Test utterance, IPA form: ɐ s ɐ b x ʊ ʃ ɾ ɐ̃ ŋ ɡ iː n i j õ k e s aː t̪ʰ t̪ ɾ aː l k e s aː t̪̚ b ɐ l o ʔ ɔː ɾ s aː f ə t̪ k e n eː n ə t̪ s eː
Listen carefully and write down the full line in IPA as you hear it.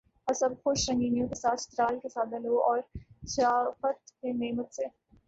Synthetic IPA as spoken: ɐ s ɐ b x ʊ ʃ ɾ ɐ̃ ŋ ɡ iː n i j õ k e s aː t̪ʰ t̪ ɾ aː l k e s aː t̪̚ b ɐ l o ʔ ɔː ɾ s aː f ə t̪ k e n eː m ə t̪ s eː